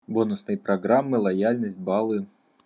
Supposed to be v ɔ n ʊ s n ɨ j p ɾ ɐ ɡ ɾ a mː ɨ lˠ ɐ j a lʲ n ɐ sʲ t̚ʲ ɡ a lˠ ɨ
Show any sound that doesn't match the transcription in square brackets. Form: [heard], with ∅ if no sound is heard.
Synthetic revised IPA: [b] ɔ n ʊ s n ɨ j p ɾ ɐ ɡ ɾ a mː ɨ lˠ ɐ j a lʲ n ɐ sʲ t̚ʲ [b] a lˠ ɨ